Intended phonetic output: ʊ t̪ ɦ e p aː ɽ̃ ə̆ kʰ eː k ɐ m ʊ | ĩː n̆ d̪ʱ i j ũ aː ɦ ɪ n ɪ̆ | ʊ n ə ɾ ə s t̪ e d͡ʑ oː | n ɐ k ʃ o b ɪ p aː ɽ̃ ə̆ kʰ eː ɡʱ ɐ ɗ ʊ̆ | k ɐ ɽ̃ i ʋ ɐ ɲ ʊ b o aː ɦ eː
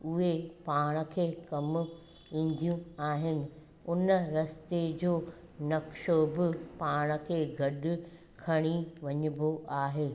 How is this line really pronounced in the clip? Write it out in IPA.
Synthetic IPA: ʊ ɦ e p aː ɽ̃ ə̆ kʰ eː k ɐ m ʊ | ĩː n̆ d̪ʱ i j ũ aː ɦ ɪ n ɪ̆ | ʊ n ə ɾ ɐ s t̪ e d͡ʑ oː | n ɐ k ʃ o b ɪ p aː ɽ̃ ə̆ kʰ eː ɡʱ ɐ ɗ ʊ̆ | kʰ ɐ ɽ̃ i ʋ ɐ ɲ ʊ b o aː ɦ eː